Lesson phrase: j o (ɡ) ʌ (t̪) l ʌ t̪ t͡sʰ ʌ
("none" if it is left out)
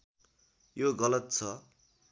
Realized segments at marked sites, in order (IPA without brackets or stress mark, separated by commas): ɡ, none